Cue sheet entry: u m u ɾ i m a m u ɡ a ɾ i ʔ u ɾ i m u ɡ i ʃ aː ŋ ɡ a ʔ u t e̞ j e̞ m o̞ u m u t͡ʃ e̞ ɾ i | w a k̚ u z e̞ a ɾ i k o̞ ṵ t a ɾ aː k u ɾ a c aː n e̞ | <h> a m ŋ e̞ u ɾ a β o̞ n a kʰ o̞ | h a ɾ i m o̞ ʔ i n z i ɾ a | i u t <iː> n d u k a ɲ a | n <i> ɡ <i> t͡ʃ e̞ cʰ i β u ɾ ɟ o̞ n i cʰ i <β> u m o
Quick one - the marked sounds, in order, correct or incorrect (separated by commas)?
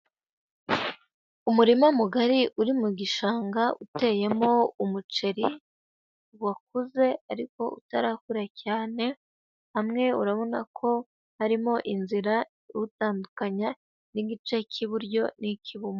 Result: correct, incorrect, correct, correct, correct